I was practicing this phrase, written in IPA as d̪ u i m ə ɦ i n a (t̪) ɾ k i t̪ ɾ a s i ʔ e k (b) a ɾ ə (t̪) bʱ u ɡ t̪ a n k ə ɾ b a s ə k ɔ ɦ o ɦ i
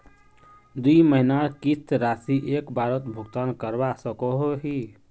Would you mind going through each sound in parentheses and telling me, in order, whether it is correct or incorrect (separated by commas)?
incorrect, correct, correct